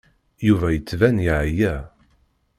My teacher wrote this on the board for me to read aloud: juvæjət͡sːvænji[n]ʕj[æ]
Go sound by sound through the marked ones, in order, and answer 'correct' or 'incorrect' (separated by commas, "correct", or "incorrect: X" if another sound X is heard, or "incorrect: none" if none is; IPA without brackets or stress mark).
incorrect: none, correct